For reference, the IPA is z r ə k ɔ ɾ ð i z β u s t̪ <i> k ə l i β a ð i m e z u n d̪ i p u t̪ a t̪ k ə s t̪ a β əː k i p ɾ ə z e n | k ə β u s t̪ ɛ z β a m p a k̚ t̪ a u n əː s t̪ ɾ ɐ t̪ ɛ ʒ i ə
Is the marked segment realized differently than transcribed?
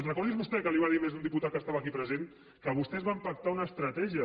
yes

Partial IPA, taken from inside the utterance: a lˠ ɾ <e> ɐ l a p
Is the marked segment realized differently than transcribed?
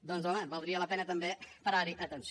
yes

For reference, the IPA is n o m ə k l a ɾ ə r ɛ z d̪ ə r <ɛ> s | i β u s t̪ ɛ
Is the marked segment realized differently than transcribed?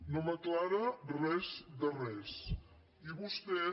no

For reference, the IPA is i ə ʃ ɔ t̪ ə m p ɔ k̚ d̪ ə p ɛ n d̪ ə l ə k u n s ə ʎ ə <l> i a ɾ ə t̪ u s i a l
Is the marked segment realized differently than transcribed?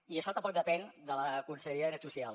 yes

